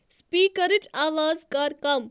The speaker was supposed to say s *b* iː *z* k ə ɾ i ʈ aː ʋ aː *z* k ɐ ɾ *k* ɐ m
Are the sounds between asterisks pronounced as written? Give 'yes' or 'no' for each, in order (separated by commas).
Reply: no, no, yes, yes